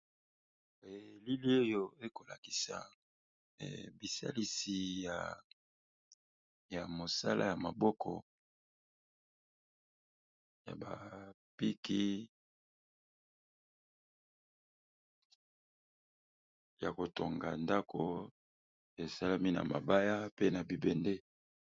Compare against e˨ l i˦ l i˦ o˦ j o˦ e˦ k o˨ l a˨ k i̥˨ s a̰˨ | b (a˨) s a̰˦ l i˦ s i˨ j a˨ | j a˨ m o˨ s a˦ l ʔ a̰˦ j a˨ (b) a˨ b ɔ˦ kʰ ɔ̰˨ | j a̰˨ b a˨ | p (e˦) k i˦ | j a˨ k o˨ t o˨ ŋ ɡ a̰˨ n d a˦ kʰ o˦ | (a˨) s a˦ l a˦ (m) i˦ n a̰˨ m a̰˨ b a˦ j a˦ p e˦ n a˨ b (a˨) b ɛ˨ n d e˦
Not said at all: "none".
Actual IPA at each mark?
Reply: i˨, m, i˦, e˨, m, i˨

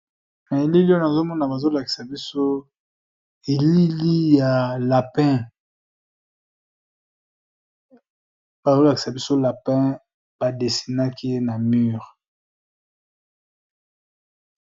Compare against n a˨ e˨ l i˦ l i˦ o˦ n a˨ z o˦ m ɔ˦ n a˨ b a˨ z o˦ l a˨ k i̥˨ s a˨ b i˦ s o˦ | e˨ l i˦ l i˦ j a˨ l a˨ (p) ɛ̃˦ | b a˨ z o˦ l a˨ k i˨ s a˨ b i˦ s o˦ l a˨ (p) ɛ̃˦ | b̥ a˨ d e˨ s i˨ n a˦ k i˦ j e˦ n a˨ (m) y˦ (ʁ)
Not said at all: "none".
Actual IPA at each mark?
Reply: p, p, m, ʁ

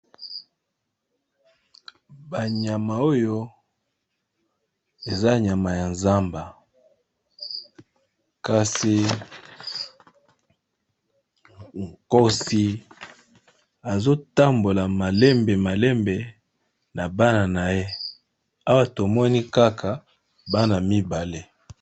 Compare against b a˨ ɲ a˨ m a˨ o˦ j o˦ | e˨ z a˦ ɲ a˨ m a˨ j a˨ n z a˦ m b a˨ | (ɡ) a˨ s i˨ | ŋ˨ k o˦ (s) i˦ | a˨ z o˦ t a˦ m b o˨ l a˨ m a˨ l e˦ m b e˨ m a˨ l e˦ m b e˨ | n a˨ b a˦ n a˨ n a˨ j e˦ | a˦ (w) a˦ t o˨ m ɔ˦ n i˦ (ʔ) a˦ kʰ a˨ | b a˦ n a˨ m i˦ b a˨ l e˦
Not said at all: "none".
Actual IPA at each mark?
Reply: k, s, w, k

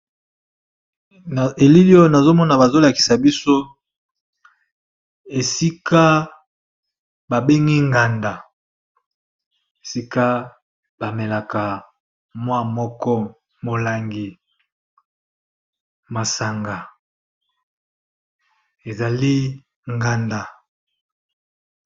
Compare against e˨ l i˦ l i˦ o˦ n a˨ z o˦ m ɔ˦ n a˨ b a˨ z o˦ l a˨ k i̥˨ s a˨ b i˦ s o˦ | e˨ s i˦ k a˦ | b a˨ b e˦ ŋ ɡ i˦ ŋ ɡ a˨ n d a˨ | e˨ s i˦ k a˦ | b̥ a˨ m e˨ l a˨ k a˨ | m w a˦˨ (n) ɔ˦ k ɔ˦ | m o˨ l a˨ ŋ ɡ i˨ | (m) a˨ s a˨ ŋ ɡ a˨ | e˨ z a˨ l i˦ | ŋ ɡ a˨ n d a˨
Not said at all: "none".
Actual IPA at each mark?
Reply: m, m

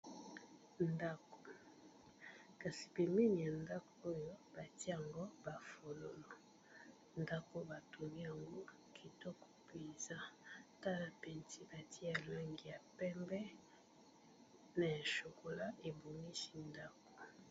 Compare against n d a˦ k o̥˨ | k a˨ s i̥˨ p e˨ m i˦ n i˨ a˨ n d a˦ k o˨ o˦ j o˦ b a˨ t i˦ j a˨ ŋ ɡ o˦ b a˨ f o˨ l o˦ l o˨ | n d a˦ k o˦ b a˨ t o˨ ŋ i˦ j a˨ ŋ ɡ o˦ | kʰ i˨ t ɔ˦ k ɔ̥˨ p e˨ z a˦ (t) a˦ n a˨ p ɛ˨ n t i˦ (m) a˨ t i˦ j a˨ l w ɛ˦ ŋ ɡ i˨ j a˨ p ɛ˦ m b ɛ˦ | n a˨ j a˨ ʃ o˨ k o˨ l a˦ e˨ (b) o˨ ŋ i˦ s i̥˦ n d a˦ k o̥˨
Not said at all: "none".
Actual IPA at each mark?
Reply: t, b, b

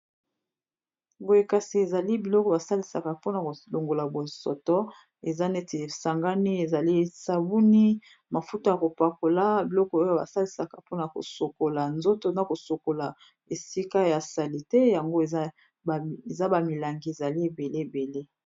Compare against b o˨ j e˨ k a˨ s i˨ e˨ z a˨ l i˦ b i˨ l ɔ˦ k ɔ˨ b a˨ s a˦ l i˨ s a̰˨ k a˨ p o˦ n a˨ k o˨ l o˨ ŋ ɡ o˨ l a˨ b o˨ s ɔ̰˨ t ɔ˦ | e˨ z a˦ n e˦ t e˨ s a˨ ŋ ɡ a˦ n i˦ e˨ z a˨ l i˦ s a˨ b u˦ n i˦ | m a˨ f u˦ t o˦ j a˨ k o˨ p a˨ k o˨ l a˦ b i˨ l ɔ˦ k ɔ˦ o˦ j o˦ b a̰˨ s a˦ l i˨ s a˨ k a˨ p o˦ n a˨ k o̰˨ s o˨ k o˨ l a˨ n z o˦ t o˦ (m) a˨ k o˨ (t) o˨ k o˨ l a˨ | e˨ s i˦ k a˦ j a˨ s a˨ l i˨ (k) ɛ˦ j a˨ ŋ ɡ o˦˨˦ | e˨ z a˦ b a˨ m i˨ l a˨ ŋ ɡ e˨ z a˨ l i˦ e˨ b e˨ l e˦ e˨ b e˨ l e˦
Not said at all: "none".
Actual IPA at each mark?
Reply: n, s, t

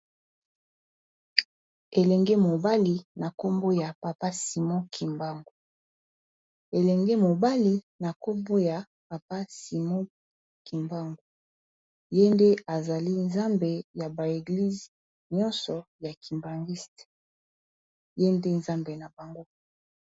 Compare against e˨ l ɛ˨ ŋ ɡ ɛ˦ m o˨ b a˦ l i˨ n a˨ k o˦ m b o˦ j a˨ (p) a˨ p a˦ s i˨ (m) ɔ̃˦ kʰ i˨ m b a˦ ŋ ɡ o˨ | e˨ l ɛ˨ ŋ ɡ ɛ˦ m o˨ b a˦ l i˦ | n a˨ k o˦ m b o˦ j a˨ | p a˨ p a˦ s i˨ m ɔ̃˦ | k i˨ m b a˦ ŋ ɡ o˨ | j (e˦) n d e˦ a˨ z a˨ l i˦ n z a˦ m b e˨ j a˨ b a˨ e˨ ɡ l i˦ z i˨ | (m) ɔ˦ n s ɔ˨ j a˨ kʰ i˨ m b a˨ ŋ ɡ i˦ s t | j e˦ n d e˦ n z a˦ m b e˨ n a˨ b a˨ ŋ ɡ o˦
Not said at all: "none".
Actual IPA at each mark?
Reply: p, m, e˦, ɲ

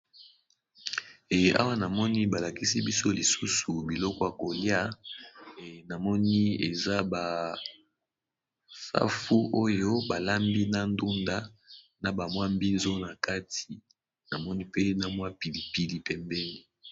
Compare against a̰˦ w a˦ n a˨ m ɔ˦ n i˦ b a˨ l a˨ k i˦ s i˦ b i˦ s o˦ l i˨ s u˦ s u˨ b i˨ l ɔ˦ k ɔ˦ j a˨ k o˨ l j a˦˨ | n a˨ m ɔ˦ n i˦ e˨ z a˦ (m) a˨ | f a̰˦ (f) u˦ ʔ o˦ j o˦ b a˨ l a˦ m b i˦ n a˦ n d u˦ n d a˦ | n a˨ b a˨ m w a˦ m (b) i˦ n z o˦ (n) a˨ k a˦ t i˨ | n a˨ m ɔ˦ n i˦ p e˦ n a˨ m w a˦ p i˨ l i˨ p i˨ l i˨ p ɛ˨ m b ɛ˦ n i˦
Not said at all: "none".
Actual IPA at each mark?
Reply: b, f, b, n

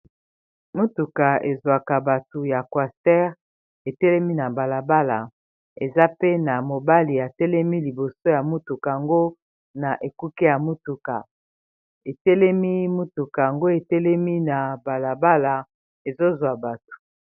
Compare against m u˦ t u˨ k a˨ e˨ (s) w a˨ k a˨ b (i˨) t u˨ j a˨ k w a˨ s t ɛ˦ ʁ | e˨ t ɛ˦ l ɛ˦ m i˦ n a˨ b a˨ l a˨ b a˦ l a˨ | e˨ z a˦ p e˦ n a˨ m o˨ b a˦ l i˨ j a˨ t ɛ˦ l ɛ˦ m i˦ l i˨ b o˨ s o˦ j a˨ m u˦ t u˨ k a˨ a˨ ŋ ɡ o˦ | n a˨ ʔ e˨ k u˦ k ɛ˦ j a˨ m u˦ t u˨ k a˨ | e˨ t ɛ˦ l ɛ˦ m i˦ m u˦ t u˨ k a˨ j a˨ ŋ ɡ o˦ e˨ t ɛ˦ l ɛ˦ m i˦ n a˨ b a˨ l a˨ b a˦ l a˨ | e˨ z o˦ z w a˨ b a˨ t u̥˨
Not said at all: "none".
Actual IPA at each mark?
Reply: z, a˨

